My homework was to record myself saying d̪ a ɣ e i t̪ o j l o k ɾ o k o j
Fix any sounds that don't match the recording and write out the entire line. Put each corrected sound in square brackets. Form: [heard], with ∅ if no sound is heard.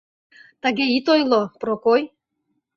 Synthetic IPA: [t̪] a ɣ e i t̪ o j l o [p] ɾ o k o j